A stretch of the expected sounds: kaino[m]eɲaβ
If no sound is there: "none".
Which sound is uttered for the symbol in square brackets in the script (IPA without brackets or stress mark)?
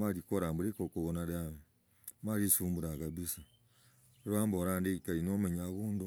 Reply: m